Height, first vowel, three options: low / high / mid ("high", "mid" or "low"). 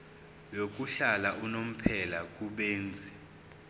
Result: mid